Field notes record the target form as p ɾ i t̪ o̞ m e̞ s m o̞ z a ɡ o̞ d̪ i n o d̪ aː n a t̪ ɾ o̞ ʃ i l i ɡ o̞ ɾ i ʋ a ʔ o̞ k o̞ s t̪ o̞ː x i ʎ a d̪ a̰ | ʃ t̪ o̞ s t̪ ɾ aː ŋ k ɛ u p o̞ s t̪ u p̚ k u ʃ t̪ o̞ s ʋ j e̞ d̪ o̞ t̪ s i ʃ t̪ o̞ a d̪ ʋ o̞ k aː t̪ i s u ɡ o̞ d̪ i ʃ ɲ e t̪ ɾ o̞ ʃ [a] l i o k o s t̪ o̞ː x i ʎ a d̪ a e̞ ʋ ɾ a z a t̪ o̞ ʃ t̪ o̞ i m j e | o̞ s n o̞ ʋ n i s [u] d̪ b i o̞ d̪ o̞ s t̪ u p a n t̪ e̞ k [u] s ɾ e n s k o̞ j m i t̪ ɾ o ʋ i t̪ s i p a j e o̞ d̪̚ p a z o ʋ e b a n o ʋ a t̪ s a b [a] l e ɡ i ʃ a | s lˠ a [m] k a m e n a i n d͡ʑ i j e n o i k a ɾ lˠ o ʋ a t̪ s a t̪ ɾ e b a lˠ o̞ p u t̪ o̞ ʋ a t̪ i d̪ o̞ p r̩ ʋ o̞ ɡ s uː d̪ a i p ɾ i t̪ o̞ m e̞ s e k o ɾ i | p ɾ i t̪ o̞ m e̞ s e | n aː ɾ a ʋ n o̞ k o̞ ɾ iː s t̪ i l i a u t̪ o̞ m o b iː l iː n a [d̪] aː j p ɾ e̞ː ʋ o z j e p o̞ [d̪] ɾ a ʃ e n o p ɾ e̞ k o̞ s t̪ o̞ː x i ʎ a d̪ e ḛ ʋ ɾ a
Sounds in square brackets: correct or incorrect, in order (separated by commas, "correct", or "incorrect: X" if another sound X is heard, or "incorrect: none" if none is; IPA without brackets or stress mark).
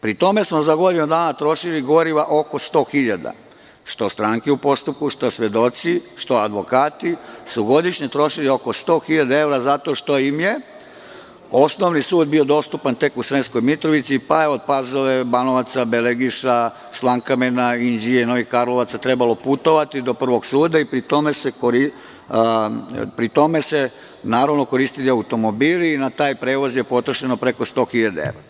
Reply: incorrect: i, incorrect: uː, correct, incorrect: e, incorrect: ŋ, incorrect: t̪, incorrect: t̪